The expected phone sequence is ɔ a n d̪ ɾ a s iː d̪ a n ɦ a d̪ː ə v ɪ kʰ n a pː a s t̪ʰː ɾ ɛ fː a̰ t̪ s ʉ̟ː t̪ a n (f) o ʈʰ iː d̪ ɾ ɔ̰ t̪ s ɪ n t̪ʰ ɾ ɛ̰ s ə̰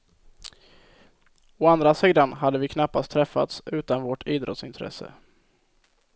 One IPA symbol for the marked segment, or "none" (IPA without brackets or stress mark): v